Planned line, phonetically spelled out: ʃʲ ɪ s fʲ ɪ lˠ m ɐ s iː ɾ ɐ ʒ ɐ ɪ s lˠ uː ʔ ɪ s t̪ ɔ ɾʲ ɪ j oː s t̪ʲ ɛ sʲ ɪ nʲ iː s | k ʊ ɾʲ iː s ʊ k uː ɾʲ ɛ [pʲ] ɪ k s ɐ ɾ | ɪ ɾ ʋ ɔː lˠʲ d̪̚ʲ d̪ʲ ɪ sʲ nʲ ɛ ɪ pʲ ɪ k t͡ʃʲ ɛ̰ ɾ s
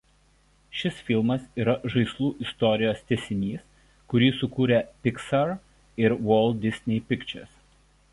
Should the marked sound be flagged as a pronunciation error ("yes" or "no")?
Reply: no